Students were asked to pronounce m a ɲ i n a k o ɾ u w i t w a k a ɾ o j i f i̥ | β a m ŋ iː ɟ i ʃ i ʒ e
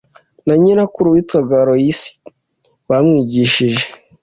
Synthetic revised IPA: n a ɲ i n a k u ɾ u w i t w a ɡ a ɾ o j i s i̥ | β a m ŋ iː ɟ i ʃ i ʒ e